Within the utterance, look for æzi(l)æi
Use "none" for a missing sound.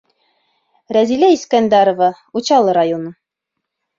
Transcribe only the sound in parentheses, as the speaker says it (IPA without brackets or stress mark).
l